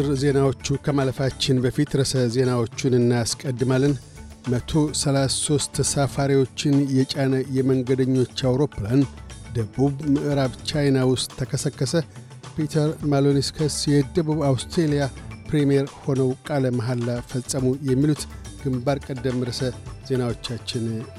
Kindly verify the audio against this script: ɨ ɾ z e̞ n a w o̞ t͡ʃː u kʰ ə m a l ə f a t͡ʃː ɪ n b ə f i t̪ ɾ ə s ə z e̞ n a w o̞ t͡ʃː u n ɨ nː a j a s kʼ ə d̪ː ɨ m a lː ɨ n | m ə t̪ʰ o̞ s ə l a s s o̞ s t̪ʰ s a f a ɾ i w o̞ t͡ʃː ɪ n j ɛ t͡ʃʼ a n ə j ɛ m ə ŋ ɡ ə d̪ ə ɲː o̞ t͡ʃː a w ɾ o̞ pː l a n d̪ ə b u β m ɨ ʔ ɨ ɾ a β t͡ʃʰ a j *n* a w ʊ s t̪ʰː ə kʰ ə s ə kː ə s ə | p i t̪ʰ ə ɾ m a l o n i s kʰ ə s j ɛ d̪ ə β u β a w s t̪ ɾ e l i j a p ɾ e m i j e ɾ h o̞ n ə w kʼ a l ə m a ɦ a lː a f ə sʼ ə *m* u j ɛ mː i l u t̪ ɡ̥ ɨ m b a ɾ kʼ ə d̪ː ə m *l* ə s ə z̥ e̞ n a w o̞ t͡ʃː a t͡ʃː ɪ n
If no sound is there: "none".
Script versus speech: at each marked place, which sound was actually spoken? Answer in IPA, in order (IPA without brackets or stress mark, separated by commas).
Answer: n, m, ɾ